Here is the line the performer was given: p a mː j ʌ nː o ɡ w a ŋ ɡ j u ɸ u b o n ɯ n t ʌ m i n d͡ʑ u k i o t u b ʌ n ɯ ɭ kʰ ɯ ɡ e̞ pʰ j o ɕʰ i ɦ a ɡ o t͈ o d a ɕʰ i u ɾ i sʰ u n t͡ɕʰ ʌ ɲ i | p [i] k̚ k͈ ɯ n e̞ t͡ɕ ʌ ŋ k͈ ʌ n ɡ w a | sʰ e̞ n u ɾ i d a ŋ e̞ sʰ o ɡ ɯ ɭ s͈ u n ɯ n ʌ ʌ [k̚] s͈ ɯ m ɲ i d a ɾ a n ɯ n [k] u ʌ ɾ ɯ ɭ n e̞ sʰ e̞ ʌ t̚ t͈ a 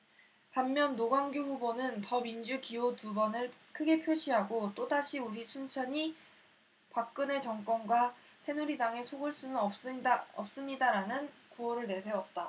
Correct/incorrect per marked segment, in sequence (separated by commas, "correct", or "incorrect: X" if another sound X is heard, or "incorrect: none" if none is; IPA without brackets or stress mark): incorrect: a, incorrect: p̚, correct